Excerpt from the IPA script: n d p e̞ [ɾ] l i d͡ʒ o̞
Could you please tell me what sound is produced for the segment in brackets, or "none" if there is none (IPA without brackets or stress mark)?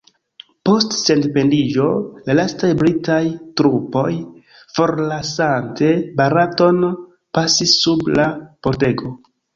none